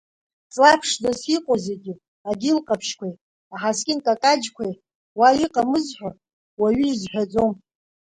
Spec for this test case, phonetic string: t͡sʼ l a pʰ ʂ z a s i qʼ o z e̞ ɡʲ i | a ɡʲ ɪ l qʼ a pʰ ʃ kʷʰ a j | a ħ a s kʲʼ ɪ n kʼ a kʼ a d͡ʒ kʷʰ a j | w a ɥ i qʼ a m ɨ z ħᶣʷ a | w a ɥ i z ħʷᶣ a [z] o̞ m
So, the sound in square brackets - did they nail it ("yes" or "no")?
no